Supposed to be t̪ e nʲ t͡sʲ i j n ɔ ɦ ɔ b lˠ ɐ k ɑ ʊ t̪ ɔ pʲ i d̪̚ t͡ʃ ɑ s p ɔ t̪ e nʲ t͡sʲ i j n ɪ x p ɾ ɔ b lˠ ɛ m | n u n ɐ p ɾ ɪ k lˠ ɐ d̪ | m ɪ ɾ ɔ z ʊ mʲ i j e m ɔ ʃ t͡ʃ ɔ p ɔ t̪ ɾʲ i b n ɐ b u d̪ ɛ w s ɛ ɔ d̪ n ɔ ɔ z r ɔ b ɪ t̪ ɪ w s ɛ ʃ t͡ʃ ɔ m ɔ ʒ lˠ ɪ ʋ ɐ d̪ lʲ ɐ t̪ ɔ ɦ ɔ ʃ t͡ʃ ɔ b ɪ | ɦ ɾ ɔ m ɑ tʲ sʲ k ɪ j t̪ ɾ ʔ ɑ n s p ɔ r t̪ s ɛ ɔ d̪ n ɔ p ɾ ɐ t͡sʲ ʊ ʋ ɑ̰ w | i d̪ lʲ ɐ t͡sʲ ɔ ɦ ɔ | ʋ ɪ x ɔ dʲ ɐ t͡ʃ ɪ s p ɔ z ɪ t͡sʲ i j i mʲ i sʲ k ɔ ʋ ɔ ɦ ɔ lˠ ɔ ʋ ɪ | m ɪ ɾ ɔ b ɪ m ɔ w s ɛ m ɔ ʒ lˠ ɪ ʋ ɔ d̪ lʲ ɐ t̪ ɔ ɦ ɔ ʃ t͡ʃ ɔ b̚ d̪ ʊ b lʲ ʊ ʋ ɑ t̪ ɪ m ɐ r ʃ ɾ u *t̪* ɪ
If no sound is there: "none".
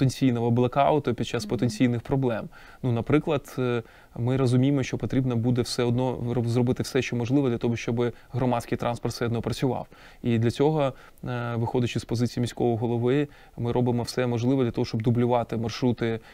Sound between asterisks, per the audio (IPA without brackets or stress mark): t̪